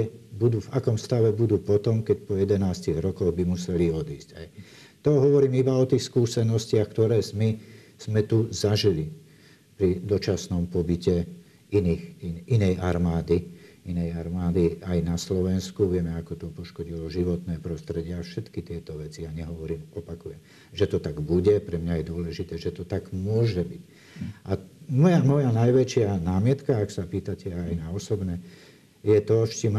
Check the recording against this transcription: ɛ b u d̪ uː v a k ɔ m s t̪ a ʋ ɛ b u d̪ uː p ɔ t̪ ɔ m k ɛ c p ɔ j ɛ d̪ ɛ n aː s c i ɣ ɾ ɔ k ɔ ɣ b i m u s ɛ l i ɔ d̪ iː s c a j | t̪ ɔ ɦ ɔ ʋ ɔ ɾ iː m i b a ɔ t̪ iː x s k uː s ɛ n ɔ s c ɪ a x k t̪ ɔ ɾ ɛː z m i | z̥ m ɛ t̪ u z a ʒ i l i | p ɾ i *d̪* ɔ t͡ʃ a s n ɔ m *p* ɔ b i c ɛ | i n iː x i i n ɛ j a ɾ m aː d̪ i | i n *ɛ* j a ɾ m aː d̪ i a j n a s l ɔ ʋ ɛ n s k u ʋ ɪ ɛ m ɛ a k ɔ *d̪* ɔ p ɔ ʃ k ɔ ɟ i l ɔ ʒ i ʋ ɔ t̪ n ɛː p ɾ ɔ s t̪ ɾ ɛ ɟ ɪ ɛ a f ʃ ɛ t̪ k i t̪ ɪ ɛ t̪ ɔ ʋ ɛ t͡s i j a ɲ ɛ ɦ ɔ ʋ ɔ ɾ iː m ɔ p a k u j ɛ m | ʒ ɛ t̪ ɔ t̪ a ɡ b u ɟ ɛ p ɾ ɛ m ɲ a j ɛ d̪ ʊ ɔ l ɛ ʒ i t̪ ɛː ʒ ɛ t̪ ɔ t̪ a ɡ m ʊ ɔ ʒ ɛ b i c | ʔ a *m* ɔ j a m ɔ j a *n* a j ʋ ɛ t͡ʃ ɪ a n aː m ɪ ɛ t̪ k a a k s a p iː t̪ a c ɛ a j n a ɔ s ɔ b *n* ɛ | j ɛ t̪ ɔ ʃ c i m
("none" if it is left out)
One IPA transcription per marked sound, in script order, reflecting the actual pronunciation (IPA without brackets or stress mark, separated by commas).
d̪, p, ɛ, t̪, m, n, n